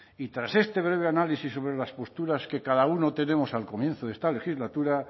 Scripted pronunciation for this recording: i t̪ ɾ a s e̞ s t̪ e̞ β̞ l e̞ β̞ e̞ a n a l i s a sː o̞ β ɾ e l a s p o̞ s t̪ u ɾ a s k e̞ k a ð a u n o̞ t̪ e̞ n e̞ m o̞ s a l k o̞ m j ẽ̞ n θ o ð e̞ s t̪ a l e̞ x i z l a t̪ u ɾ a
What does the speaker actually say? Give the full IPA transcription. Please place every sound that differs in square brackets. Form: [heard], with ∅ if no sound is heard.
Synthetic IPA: i t̪ ɾ a s e̞ s t̪ e̞ β̞ [ɾ] e̞ β̞ e̞ a n a l i s [i] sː o̞ β ɾ e l a s p o̞ s t̪ u ɾ a s k e̞ k a ð a u n o̞ t̪ e̞ n e̞ m o̞ s a l k o̞ m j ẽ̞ n θ o ð e̞ s t̪ a l e̞ x i z l a t̪ u ɾ a

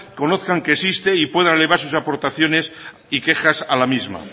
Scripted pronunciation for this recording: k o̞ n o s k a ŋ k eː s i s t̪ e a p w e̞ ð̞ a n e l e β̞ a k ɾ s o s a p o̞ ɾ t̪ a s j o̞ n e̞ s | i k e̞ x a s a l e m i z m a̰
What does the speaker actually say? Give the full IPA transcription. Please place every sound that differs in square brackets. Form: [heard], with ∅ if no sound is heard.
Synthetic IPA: k o̞ n o [θ] k a ŋ k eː s i s t̪ e [i] p w e̞ ð̞ a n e l e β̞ a [∅] ɾ s [u] s a p o̞ ɾ t̪ a [θ] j o̞ n e̞ s | i k e̞ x a s a l [a] m i z m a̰

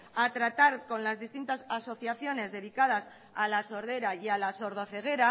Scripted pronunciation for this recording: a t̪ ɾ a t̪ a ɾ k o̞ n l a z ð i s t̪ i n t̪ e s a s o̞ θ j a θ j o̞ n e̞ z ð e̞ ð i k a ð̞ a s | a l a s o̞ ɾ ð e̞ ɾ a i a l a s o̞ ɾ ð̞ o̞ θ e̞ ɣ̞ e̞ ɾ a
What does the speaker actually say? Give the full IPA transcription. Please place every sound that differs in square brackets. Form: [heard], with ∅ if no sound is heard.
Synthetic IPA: a t̪ ɾ a t̪ a ɾ k o̞ n l a z ð i s t̪ i n t̪ [a] s a s o̞ θ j a θ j o̞ n e̞ z ð e̞ ð i k a ð̞ a s | a l a s o̞ ɾ ð e̞ ɾ a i a l a s o̞ ɾ ð̞ o̞ θ e̞ ɣ̞ e̞ ɾ a

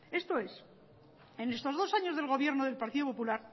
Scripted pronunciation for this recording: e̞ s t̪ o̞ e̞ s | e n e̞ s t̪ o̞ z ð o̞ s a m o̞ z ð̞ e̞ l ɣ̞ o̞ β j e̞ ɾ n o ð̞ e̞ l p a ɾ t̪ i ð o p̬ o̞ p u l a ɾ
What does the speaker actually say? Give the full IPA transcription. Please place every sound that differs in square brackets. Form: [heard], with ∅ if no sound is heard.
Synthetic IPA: e̞ s t̪ o̞ e̞ s | e n e̞ s t̪ o̞ z ð o̞ s a [ɲ] o̞ z ð̞ e̞ l ɣ̞ o̞ β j e̞ ɾ n o ð̞ e̞ l p a ɾ t̪ i ð o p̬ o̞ p u l a ɾ

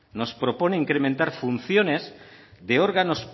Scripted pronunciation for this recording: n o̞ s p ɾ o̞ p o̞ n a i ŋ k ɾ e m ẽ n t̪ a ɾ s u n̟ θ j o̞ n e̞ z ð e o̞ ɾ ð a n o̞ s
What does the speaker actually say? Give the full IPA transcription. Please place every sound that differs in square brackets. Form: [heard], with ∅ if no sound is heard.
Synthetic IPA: n o̞ s p ɾ o̞ p o̞ n [e] i ŋ k ɾ e m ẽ n t̪ a ɾ [f] u n̟ θ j o̞ n e̞ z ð e o̞ ɾ [ɣ] a n o̞ s

